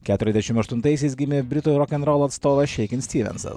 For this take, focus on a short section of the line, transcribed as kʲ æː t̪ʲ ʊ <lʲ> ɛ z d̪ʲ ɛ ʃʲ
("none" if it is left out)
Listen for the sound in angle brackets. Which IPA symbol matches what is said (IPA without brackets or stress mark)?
ɾʲ